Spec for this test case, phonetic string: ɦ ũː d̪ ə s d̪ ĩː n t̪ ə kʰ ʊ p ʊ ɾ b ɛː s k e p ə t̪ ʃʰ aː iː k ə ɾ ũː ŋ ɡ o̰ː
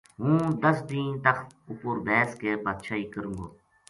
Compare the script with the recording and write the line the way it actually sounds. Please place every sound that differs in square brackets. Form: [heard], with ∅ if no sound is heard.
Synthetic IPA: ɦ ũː d̪ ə s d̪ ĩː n t̪ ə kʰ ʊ p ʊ ɾ b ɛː s k e p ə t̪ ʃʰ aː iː k ə ɾ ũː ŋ ɡ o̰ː